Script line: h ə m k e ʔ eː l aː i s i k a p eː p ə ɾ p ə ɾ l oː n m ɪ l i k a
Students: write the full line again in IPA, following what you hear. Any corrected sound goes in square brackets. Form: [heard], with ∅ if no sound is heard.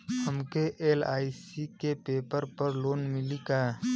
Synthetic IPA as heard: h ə m k e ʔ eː l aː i s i k [e] p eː p ə ɾ p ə ɾ l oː n m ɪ l i k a